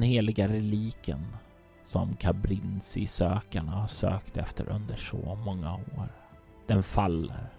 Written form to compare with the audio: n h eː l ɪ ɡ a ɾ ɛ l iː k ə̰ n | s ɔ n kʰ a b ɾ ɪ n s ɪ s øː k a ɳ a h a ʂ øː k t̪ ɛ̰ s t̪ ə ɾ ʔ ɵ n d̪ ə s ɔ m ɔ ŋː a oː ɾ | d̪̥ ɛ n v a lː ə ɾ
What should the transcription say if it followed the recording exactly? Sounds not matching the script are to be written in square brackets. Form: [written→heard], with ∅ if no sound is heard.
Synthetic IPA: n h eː l ɪ ɡ a ɾ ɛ l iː k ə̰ n | s ɔ [n→m] kʰ a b ɾ ɪ n s ɪ s øː k a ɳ a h a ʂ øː k t̪ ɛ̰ [s→f] t̪ ə ɾ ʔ ɵ n d̪ ə [s→ʂ] ɔ m ɔ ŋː a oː ɾ | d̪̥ ɛ n [v→f] a lː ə ɾ